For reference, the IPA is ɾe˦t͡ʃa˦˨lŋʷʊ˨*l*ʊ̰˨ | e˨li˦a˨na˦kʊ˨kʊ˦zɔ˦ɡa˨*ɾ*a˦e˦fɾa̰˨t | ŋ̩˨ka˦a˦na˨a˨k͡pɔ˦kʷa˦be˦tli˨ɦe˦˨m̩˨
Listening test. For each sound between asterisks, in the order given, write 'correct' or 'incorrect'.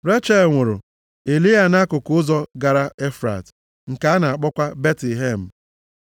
incorrect, correct

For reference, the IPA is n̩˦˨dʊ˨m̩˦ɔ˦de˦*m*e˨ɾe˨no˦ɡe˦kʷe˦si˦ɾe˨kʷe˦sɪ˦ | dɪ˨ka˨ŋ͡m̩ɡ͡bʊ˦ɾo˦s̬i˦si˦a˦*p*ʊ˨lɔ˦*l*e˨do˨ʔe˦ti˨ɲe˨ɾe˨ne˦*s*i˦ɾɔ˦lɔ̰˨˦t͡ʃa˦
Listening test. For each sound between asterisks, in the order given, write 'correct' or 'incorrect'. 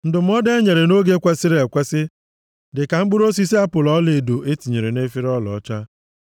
incorrect, correct, correct, incorrect

